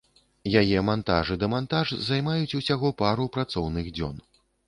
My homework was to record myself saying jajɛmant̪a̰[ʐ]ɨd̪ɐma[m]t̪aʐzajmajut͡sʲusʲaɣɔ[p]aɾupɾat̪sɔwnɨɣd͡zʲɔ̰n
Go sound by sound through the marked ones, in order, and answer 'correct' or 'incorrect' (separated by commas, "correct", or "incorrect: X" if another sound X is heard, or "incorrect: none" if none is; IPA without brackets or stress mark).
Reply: correct, incorrect: n, correct